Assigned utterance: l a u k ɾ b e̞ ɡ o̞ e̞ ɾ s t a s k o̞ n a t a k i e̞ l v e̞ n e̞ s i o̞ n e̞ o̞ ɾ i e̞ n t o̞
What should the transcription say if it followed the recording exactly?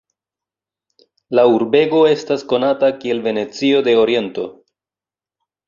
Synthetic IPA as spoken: l a u ɾ b e̞ ɡ o̞ e̞ s t a s k o̞ n a t a k i e̞ l v e̞ n e̞ t͡s i o̞ d e̞ o̞ ɾ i e̞ n t o̞